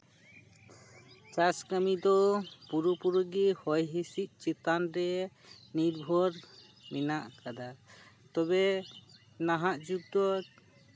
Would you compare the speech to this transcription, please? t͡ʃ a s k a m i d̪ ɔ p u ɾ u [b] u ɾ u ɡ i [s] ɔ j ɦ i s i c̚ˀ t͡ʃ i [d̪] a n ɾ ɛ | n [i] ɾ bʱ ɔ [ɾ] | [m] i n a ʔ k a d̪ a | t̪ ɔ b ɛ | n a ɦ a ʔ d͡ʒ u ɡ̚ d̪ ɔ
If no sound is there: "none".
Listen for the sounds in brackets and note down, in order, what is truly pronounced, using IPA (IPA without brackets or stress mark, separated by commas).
p, h, t̪, i, ɾ, m